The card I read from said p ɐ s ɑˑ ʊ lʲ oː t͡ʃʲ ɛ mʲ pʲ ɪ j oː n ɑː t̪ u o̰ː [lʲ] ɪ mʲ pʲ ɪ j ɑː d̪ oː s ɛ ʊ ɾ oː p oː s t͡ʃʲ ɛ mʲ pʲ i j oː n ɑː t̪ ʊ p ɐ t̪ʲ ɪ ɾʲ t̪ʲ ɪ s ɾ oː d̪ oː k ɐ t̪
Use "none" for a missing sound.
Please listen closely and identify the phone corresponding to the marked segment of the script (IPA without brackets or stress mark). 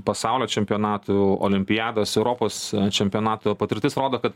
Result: lʲ